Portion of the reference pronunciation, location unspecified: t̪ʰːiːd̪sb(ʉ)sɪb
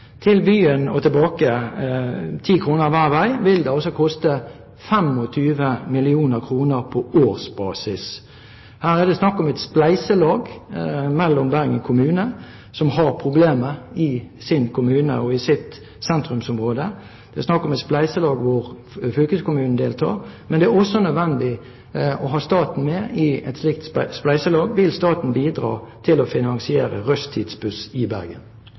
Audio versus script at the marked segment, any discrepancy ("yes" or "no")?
no